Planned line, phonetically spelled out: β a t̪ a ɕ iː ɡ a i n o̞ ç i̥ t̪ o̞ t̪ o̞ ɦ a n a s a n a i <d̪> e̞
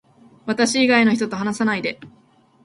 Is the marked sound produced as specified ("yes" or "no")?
yes